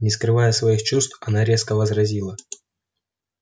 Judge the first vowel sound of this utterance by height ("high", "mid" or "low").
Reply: high